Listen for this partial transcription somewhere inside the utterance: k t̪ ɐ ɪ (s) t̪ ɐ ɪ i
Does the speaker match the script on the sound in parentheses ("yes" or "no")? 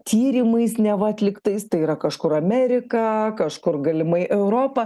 yes